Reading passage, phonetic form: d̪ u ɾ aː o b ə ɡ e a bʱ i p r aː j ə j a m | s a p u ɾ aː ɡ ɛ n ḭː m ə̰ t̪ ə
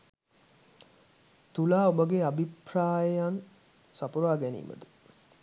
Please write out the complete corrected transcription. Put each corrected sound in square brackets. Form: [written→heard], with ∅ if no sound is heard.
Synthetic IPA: [d̪→t̪] u [ɾ→l] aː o b ə ɡ e a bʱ i p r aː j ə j a [m→n] | s a p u ɾ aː ɡ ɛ n ḭː m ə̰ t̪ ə